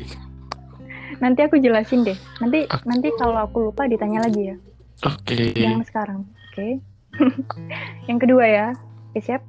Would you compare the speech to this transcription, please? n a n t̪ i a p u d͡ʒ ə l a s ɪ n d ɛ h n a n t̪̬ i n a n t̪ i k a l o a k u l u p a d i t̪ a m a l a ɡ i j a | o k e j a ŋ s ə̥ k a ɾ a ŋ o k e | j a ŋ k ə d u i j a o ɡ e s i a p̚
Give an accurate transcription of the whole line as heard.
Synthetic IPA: n a n t̪ i a k u d͡ʒ ə l a s ɪ n d ɛ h n a n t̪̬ i n a n t̪ i k a l o a k u l u p a d i t̪ a ɲ a l a ɡ i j a | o k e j a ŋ s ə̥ k a ɾ a ŋ o k e | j a ŋ k ə d u a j a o k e s i a p̚